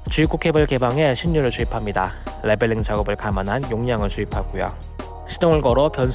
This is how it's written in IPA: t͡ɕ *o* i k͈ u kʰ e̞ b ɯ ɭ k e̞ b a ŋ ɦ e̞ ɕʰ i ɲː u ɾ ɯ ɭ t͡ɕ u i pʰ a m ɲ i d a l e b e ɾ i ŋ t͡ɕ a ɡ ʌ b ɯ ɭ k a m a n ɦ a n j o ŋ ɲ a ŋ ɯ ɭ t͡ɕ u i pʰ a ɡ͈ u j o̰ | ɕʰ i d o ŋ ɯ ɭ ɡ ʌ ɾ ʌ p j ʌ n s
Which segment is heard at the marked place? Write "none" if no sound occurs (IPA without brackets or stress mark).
u